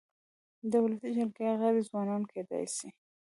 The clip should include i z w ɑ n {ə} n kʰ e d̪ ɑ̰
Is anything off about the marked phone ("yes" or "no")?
yes